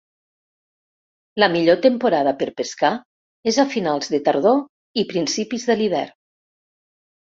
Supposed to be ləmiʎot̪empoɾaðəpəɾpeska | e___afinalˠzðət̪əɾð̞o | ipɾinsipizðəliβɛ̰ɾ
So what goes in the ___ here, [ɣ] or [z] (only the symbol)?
z